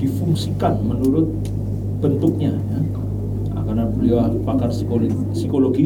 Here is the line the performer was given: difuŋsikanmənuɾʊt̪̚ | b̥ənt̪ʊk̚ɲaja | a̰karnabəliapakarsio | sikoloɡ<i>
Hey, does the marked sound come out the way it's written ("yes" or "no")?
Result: yes